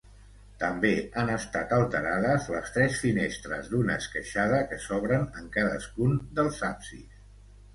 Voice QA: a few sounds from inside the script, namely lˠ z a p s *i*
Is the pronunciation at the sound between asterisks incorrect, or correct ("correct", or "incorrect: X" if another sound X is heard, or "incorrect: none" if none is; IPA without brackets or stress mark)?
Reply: correct